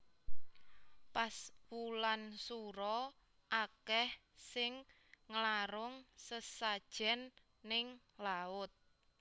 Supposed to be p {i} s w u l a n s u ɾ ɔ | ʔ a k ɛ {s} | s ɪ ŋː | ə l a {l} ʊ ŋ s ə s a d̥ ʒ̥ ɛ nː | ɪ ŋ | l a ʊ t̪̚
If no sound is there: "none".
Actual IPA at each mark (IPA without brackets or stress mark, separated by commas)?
a, h, ɾ